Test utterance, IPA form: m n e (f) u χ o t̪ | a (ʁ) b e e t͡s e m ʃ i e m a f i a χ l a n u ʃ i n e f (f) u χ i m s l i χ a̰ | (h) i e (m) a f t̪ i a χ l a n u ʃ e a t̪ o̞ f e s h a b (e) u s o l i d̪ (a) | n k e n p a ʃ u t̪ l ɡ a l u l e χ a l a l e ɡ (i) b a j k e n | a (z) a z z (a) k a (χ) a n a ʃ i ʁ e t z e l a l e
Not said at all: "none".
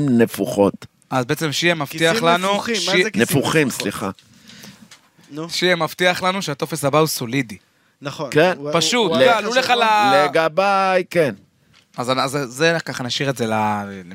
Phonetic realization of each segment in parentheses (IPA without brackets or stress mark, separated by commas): f, z, f, ʃ, m, a, i, a, z, e, χ